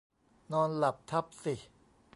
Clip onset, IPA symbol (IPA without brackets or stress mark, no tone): n